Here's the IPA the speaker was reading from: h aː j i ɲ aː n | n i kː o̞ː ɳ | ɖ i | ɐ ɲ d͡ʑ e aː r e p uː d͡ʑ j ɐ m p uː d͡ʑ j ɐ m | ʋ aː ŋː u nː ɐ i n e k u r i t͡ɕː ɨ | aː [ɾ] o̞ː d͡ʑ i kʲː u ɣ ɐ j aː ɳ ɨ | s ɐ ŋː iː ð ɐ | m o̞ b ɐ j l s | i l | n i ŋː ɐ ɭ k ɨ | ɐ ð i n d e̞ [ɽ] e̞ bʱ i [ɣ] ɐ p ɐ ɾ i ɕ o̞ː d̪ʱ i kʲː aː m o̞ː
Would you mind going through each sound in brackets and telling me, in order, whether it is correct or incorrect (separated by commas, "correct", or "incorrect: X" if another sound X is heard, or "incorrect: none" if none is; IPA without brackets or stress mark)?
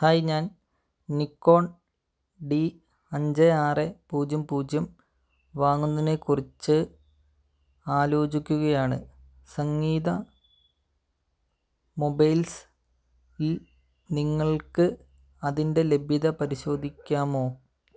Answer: incorrect: l, incorrect: l, incorrect: ð